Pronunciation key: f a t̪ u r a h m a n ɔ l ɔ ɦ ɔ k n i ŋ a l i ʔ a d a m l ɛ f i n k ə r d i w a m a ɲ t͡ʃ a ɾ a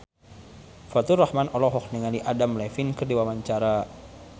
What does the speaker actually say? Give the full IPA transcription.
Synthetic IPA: f a t̪ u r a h m a n ɔ l ɔ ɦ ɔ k n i ŋ a l i ʔ a d a m l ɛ f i n k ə r d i w a m a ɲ t͡ʃ a ɾ a